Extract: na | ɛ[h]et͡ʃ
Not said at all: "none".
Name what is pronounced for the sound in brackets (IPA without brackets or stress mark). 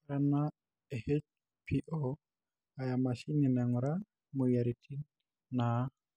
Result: h